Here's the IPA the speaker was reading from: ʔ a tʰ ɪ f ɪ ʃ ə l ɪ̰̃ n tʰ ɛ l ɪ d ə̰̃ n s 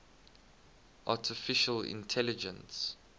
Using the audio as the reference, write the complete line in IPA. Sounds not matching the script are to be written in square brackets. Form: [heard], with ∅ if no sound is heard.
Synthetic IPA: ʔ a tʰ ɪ f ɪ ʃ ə l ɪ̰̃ n tʰ ɛ l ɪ [d͡ʒ] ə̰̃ n s

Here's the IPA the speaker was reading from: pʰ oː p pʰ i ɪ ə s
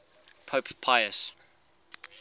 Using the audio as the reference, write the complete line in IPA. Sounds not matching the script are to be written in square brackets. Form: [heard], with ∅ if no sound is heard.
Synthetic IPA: pʰ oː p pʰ [a] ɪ ə s

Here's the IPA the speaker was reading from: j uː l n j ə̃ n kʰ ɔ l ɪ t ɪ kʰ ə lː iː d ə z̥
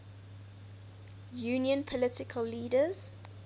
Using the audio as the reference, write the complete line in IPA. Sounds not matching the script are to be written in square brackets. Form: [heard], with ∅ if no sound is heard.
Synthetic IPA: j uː [∅] n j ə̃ n [pʰ] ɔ l ɪ t ɪ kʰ ə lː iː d ə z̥

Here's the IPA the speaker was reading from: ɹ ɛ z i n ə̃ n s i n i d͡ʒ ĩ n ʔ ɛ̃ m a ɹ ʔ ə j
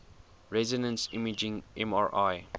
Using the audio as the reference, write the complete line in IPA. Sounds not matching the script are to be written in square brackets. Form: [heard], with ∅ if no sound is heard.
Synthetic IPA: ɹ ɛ z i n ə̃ n s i [m] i d͡ʒ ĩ [ŋ] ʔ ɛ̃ m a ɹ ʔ [a] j

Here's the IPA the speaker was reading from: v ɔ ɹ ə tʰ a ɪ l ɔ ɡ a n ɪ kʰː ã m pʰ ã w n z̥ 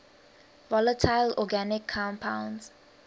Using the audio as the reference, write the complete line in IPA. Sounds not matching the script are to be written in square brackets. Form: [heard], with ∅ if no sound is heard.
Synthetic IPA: v ɔ [l] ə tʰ a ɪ l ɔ ɡ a n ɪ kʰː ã m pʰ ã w n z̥

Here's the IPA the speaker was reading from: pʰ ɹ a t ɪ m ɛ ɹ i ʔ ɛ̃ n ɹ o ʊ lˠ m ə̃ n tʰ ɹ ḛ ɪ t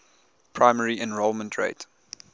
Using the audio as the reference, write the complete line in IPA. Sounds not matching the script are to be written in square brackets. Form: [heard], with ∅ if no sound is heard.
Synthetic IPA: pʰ ɹ a [∅] ɪ m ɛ ɹ i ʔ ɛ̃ n ɹ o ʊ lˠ m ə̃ n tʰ ɹ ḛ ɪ t

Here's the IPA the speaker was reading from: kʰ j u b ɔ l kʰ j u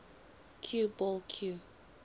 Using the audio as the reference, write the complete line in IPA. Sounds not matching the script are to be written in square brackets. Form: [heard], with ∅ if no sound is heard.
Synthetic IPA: kʰ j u b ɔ l kʰ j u

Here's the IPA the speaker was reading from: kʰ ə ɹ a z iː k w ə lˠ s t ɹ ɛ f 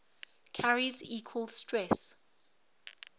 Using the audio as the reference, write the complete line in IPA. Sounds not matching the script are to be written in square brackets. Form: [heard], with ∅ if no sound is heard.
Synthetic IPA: kʰ [a] ɹ [i] z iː [kʰ] w ə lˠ s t ɹ ɛ [s]

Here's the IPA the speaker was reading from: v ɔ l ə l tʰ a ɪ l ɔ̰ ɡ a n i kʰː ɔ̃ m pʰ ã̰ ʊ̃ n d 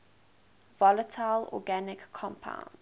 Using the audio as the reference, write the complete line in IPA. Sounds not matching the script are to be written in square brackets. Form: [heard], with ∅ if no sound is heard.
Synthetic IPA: v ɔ l ə [∅] tʰ a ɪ l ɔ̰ ɡ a n [ɪ] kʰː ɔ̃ m pʰ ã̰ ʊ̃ n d

